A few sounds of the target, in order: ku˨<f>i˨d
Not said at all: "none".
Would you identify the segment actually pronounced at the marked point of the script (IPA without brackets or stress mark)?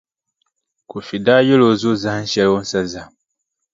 f